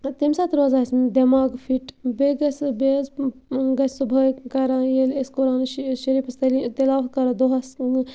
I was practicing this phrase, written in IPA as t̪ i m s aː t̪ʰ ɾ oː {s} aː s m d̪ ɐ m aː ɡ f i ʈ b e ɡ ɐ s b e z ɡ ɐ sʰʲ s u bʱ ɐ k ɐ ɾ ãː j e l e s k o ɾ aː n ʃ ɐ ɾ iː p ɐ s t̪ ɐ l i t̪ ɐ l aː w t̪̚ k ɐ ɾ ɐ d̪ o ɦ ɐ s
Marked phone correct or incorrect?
incorrect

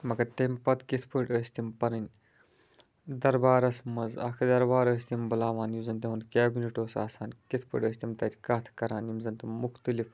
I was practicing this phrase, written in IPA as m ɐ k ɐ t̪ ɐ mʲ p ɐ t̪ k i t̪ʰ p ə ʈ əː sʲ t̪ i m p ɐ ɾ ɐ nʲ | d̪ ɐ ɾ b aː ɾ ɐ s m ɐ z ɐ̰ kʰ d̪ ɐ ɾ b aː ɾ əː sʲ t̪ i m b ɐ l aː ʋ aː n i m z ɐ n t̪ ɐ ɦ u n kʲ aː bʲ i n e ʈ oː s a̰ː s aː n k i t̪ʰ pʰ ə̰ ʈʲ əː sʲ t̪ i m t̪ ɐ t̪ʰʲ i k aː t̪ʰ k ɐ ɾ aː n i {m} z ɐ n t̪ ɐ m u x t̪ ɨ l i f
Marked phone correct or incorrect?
correct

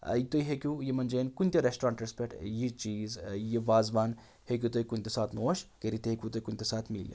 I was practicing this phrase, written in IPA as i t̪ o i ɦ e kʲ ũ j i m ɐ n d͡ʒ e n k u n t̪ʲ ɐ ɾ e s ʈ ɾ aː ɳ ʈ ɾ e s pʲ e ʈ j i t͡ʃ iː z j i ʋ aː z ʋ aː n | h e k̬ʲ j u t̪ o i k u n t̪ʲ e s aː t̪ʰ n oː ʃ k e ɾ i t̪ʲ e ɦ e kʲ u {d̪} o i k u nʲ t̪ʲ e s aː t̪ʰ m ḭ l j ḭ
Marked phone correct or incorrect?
incorrect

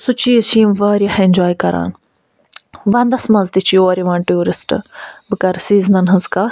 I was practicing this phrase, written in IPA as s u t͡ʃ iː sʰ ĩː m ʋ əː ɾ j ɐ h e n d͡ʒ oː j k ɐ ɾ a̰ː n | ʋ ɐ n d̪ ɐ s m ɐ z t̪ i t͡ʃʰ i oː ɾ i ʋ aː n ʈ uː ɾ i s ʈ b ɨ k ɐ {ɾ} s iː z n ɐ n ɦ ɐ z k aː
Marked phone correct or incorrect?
correct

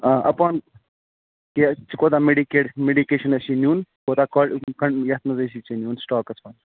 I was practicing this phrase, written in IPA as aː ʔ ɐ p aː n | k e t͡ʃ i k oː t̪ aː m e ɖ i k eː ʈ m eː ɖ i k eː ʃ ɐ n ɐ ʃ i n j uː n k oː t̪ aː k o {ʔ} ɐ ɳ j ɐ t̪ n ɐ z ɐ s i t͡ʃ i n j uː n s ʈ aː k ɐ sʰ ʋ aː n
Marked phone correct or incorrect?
incorrect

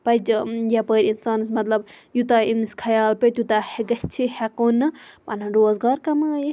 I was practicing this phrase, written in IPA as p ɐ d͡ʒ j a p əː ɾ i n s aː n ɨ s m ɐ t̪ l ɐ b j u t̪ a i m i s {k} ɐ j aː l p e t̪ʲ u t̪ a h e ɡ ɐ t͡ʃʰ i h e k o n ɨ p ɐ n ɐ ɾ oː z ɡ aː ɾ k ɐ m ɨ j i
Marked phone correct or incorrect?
incorrect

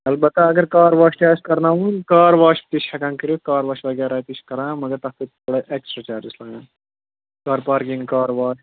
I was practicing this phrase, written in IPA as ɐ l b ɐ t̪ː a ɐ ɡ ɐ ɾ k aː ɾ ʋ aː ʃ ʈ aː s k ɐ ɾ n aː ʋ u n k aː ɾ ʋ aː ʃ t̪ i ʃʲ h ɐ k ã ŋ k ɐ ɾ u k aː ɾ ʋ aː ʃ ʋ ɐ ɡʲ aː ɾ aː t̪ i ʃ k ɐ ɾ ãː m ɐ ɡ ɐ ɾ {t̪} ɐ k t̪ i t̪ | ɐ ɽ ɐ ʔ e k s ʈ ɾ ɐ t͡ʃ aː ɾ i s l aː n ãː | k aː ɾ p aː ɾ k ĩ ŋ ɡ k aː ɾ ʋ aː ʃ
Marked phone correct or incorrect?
correct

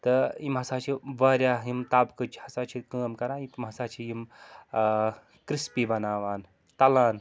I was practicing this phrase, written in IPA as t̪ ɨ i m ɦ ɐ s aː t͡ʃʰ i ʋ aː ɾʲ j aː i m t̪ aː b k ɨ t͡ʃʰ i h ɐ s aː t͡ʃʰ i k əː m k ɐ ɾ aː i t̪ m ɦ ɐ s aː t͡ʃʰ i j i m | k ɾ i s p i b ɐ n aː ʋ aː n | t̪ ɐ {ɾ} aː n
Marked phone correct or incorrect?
incorrect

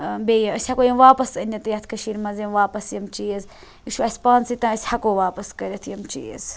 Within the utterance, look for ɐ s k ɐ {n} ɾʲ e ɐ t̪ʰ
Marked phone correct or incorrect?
incorrect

